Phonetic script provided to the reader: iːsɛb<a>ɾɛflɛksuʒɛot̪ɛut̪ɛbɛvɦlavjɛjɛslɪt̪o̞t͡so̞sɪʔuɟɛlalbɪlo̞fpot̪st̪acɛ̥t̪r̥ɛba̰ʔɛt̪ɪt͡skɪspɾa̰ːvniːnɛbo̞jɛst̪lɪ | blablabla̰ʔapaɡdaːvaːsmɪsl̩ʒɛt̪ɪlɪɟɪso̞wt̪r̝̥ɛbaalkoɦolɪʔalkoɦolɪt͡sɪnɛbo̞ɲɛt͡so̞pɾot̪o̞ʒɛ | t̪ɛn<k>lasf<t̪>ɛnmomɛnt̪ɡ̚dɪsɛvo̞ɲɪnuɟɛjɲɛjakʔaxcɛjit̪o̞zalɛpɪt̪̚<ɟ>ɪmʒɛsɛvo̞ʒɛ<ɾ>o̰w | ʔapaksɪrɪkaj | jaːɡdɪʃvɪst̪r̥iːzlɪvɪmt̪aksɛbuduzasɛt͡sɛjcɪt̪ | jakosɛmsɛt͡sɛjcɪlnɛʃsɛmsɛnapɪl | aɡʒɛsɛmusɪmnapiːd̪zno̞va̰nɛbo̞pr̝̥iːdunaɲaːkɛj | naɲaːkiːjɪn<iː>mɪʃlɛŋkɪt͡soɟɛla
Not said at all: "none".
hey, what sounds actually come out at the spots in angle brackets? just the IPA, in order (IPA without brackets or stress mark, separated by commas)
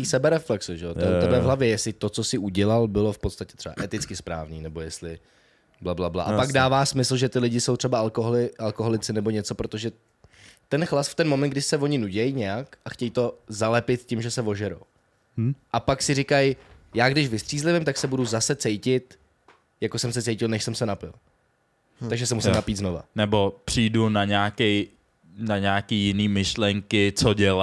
ɛ, x, t̪, c, ɾ, iː